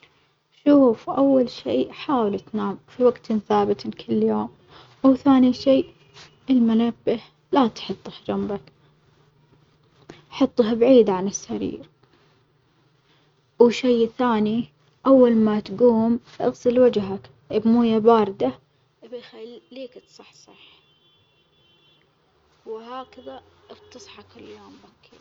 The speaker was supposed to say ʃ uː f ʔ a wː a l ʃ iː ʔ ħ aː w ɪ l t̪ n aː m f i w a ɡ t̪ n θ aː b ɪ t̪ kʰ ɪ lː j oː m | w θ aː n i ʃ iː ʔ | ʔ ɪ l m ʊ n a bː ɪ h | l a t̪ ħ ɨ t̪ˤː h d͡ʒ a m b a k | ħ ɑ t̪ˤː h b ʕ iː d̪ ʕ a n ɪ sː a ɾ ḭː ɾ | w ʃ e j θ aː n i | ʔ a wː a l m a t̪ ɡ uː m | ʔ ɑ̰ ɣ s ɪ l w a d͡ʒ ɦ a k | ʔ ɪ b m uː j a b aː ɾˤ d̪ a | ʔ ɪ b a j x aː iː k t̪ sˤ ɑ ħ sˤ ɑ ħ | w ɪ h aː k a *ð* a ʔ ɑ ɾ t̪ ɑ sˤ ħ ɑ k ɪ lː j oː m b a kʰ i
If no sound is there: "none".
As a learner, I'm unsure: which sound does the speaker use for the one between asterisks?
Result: ð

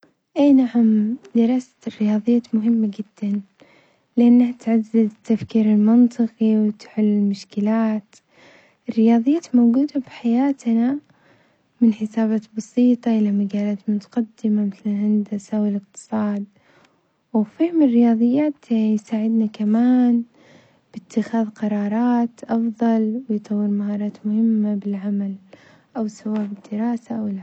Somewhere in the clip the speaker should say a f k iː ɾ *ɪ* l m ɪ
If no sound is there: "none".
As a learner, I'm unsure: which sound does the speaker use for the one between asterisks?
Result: ɪ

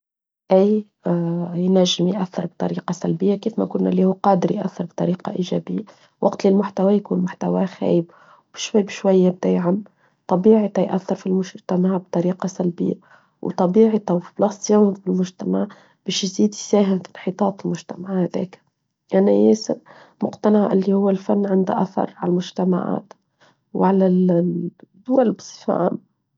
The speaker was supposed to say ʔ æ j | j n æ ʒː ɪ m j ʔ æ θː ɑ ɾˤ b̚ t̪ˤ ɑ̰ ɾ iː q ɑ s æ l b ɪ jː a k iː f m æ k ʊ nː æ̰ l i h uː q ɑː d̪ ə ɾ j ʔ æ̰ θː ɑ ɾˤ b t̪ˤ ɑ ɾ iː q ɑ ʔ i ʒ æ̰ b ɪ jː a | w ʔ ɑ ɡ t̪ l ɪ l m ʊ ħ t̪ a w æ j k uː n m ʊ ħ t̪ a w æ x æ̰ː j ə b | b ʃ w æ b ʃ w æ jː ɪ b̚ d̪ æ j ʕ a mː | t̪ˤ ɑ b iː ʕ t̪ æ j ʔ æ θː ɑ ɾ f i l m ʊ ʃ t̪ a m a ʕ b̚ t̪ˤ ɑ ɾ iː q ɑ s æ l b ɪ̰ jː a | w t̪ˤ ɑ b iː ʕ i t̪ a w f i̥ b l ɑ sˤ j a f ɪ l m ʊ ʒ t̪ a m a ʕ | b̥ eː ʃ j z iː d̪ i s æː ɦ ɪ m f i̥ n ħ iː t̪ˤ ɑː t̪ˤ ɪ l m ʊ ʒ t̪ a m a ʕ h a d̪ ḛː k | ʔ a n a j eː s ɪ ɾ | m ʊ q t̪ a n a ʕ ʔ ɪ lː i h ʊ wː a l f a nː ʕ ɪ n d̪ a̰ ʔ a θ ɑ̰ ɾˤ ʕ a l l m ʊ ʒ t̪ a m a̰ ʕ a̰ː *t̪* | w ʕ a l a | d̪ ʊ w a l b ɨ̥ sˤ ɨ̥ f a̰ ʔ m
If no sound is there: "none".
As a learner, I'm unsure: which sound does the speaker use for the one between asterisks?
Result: t̪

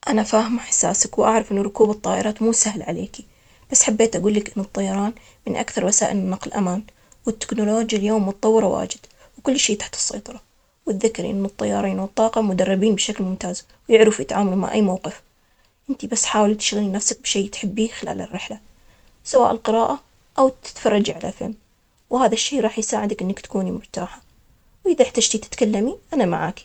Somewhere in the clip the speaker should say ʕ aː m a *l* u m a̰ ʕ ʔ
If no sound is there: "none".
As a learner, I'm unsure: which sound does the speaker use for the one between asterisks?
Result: l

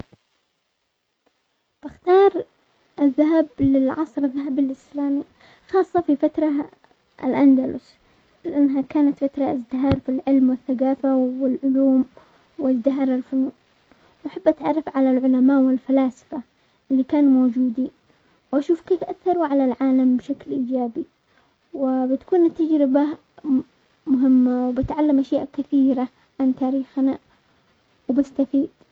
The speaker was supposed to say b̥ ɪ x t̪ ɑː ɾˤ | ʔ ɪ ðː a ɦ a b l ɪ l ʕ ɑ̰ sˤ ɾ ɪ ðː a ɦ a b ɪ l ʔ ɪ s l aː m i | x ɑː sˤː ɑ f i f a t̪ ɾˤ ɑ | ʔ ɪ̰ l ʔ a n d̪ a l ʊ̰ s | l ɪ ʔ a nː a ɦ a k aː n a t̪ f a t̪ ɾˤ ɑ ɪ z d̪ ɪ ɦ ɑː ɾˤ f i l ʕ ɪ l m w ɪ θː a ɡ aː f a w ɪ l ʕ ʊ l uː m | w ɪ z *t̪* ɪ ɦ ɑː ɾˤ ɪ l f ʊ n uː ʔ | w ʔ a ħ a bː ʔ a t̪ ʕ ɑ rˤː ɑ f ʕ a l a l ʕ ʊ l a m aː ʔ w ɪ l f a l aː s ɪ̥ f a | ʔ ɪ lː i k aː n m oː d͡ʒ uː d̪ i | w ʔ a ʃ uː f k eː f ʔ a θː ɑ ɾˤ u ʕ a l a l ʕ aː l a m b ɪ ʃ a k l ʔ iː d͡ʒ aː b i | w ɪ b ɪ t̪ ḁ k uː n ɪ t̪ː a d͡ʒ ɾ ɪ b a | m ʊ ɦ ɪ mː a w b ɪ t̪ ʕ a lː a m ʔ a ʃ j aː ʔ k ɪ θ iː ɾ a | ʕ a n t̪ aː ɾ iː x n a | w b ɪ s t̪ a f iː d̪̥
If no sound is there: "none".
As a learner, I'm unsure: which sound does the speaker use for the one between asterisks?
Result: d̪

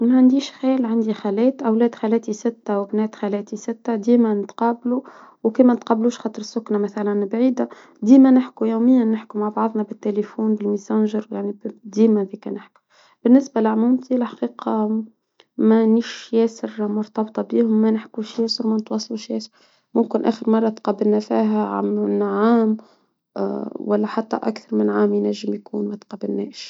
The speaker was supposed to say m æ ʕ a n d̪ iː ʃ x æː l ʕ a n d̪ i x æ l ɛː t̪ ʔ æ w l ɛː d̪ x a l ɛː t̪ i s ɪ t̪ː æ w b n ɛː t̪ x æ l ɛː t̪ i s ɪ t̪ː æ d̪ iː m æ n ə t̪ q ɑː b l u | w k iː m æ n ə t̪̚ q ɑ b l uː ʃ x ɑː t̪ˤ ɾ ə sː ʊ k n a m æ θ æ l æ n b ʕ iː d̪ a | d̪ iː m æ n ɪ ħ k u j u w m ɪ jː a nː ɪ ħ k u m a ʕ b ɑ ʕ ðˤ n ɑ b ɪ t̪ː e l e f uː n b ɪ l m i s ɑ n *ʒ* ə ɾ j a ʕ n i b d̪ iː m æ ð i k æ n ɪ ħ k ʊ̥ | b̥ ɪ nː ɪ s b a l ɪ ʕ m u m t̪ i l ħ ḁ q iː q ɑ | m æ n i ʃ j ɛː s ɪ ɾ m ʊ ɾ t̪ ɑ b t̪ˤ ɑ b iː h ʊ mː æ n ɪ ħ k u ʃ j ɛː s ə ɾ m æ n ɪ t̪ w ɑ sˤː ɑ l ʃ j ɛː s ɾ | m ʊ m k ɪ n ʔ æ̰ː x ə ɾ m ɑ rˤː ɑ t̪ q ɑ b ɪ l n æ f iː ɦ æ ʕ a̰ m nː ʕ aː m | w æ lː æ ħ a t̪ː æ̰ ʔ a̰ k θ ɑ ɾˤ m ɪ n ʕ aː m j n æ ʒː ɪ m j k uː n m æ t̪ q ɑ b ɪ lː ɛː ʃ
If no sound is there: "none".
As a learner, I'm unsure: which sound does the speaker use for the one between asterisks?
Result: ʒ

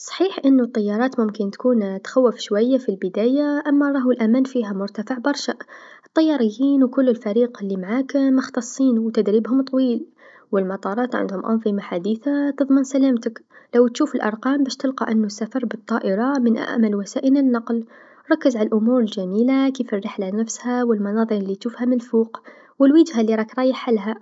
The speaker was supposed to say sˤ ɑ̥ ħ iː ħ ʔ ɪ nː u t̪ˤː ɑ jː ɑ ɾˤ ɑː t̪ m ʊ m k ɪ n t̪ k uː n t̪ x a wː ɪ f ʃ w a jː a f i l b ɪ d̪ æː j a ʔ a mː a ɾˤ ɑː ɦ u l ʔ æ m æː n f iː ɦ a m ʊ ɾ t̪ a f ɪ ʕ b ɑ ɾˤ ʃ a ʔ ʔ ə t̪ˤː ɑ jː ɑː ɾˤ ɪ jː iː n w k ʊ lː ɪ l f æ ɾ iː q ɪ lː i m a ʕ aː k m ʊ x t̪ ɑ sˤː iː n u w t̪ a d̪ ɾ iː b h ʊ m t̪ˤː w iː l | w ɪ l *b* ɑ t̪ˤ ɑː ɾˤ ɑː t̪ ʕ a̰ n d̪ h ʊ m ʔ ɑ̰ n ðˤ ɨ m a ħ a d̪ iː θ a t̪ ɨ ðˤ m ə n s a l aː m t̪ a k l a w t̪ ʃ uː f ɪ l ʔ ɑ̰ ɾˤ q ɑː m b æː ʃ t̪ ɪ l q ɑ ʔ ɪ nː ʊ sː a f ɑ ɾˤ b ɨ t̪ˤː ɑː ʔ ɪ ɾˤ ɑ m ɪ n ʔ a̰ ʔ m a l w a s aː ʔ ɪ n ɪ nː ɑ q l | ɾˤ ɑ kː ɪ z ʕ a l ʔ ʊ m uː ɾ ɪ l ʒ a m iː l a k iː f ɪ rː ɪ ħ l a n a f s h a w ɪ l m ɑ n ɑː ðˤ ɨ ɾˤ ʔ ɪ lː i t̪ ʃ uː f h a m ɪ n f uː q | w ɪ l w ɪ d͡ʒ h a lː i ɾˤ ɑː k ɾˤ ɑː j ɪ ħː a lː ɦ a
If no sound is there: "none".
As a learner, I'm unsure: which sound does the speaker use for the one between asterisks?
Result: m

